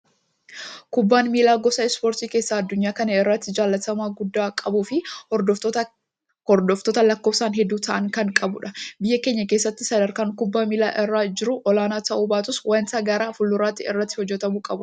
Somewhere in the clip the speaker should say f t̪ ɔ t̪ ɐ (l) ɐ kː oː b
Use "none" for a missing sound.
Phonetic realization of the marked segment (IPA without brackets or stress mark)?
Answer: l